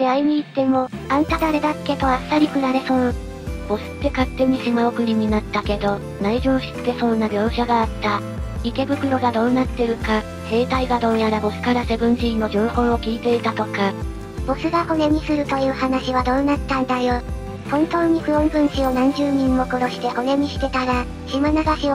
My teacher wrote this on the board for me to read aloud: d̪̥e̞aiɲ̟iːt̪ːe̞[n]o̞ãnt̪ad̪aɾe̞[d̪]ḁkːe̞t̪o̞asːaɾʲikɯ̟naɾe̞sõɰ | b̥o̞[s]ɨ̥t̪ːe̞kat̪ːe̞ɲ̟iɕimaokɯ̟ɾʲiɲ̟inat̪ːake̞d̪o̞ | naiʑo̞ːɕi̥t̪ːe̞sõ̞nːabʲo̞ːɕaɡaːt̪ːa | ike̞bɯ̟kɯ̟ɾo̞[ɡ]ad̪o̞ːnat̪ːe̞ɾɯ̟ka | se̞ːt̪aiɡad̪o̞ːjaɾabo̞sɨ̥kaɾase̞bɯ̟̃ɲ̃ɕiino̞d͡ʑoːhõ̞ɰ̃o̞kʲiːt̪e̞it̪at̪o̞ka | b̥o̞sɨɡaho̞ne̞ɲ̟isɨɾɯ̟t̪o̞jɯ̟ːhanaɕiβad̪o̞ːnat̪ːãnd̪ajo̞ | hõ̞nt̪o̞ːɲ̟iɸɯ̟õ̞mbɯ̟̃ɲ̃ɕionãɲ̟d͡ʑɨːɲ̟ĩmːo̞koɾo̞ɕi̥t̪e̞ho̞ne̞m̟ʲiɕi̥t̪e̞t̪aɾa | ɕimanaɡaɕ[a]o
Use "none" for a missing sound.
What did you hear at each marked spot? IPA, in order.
m, d̪, s, ɡ, i

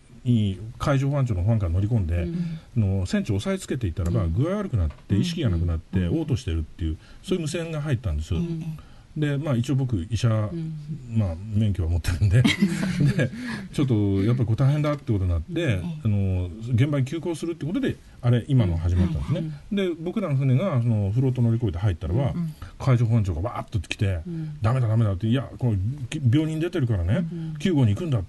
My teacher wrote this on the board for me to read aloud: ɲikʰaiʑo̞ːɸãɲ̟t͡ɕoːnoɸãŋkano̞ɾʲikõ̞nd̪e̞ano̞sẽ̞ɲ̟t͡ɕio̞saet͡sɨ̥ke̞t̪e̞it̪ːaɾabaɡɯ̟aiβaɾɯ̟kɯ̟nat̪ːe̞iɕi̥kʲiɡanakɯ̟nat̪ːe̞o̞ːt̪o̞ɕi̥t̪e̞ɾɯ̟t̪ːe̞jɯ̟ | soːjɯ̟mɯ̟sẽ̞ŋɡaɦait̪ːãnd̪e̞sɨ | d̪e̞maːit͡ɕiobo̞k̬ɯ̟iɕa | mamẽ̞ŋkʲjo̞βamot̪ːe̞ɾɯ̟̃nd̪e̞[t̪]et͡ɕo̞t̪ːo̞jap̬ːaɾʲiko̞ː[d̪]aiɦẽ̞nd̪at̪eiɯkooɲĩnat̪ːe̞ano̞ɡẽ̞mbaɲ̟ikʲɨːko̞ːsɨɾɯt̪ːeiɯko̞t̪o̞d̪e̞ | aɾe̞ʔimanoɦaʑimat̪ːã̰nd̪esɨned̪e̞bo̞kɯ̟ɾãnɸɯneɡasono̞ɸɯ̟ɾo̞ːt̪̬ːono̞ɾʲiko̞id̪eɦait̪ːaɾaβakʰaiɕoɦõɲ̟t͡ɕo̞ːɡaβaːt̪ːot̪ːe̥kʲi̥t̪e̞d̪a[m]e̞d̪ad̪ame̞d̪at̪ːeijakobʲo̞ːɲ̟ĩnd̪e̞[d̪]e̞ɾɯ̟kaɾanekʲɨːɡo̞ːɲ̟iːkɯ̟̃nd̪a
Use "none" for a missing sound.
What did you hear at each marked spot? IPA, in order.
d̪, t̪, m, t̪

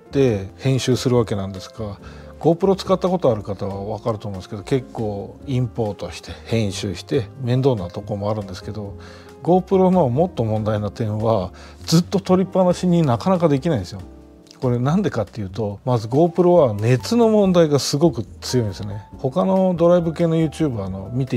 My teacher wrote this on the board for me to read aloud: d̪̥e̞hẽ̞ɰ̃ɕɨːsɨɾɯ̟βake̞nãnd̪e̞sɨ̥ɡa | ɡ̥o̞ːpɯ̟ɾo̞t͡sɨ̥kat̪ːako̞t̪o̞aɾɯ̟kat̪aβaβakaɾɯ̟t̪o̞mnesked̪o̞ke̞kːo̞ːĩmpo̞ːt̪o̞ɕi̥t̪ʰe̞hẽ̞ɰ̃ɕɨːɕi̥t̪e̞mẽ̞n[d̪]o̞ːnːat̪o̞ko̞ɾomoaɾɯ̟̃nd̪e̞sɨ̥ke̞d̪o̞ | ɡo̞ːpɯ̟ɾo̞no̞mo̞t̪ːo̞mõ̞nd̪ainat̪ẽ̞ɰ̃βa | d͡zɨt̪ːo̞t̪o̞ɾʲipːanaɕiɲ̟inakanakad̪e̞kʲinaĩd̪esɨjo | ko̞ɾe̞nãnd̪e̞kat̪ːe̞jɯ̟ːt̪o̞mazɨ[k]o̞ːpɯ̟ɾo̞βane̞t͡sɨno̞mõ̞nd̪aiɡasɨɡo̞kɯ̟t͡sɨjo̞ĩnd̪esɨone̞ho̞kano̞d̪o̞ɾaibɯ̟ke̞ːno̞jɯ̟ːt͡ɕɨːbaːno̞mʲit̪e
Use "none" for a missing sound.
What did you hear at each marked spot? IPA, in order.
d̪, ɡ

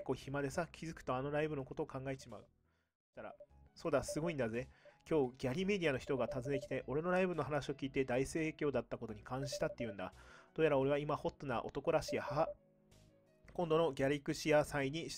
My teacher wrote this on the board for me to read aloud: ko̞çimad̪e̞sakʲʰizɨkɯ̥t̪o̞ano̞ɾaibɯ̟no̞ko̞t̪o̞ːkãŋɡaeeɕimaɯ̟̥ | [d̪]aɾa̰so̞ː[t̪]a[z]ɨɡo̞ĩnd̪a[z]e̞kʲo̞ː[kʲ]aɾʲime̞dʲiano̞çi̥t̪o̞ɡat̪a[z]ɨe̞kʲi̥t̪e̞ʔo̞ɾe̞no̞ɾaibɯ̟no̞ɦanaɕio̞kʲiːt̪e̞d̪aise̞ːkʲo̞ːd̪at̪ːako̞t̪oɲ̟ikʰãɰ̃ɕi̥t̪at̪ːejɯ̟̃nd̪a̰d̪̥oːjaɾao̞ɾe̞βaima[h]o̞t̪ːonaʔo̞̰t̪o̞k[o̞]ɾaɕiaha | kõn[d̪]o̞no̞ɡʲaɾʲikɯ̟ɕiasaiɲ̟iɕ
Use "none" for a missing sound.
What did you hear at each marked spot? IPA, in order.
t̪, d̪, s, z, ɡʲ, z, h, o̞, d̪

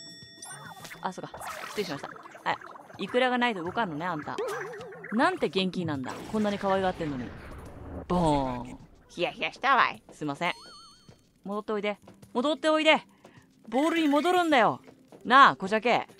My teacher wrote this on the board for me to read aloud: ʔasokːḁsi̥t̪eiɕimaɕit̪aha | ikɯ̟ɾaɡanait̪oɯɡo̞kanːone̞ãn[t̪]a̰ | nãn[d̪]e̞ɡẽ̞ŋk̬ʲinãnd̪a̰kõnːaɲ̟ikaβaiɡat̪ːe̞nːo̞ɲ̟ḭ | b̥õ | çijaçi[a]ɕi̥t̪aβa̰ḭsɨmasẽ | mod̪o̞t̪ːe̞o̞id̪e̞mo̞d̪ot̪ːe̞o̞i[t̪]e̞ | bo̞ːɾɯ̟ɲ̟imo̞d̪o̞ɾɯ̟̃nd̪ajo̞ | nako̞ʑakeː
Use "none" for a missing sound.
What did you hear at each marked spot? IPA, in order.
t̪, t̪, a, d̪

